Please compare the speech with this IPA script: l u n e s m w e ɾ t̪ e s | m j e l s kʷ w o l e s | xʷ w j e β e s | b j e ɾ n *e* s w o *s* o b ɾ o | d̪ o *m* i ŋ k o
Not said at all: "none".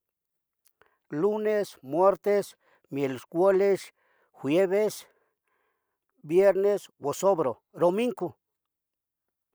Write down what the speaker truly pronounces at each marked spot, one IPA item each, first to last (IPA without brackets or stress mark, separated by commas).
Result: e, s, m